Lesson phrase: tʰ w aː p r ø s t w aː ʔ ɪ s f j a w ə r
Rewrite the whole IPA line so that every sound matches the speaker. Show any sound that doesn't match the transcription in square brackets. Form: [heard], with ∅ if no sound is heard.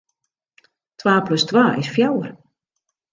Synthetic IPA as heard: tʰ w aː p [l] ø s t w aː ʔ ɪ s f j a w ə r